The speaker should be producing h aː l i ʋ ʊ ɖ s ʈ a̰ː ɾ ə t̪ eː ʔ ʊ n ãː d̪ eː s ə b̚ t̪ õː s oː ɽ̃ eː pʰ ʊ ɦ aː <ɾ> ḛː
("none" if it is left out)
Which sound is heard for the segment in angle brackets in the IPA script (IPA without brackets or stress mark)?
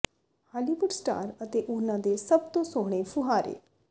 ɾ